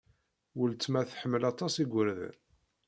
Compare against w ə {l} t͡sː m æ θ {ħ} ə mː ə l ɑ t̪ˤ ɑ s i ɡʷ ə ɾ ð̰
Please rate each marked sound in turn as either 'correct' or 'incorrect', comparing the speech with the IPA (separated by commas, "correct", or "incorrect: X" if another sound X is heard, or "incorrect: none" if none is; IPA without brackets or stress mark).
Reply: correct, correct